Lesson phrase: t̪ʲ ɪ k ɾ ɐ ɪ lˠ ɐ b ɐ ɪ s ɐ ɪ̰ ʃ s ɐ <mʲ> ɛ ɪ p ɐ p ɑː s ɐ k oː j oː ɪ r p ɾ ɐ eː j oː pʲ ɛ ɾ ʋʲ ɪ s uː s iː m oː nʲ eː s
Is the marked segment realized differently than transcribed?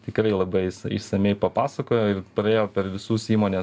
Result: no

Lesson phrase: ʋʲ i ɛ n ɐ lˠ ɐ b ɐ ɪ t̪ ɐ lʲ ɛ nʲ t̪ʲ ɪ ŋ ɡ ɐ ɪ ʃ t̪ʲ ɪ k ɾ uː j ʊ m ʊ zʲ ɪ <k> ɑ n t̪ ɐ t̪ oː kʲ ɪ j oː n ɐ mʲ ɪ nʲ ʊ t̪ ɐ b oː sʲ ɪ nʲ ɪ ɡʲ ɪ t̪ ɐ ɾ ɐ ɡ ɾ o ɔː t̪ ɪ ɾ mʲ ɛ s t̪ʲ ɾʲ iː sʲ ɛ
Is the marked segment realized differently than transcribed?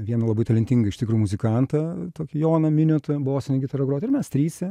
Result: no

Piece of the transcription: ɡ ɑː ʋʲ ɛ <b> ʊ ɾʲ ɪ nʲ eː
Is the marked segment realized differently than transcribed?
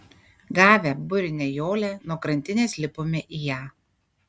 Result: no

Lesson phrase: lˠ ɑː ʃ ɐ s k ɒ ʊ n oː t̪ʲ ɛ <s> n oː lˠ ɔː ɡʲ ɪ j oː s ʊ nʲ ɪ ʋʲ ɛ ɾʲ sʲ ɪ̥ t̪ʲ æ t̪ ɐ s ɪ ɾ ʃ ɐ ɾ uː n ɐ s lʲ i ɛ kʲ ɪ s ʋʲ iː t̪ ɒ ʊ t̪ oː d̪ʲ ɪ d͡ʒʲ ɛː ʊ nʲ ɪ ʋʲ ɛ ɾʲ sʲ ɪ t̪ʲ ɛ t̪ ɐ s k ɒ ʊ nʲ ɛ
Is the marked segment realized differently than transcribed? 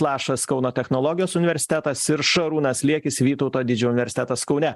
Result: yes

